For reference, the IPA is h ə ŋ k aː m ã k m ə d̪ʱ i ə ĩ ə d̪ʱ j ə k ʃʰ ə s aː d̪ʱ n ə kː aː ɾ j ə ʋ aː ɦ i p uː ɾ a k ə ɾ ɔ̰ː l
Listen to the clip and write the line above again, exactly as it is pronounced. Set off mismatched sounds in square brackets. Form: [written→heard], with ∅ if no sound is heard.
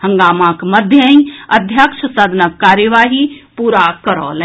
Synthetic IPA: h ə ŋ [k→ɡ] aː m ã k m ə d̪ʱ [i→j] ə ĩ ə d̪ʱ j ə k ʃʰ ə s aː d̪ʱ n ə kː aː ɾ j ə ʋ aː ɦ i p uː ɾ a k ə ɾ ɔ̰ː l